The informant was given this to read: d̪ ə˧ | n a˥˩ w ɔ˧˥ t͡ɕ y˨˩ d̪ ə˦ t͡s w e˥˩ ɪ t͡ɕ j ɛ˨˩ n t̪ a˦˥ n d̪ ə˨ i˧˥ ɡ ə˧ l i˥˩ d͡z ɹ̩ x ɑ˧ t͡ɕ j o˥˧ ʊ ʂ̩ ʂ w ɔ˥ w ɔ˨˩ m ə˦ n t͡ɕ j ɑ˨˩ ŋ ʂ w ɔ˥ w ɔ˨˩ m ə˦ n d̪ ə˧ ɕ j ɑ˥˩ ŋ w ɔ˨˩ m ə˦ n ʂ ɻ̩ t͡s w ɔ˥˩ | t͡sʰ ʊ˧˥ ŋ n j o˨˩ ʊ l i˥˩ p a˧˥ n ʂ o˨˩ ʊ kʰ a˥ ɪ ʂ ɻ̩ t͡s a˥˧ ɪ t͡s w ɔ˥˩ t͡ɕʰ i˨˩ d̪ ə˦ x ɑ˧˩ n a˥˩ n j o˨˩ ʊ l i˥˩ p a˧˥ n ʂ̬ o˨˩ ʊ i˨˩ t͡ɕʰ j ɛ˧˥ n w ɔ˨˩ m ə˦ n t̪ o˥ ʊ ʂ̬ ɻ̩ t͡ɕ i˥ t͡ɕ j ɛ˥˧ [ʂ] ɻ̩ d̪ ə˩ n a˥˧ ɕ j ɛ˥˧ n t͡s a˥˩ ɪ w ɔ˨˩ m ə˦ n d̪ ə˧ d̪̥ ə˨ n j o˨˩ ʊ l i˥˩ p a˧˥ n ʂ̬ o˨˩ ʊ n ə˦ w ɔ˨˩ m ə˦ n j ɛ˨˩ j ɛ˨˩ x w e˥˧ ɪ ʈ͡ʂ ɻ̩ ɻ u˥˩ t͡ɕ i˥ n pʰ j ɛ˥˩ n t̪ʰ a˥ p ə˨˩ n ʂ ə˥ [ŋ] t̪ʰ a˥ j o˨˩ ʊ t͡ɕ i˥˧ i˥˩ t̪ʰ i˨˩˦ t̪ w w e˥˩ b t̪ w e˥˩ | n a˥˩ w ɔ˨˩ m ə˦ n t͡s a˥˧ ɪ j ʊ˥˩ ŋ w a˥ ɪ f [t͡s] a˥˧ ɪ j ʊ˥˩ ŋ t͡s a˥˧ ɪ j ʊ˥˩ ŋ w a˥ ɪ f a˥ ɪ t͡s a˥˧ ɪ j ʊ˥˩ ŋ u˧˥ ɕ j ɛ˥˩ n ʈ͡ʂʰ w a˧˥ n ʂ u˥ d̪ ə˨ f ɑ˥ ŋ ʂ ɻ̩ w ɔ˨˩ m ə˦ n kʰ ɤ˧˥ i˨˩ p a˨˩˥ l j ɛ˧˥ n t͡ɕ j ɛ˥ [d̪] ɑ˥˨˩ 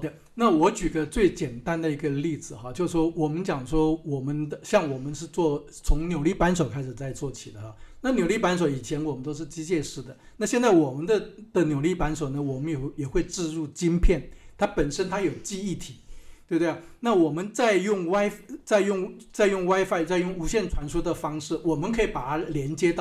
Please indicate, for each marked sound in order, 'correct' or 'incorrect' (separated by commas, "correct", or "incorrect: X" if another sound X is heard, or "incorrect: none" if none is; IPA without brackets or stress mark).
correct, incorrect: n, correct, incorrect: t̪